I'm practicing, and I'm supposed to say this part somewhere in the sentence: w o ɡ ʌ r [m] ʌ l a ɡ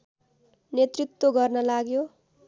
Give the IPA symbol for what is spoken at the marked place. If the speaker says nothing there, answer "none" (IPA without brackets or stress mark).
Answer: n